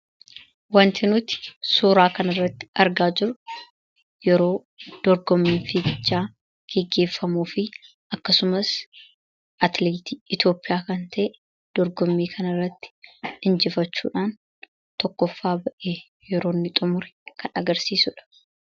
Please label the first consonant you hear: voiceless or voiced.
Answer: voiced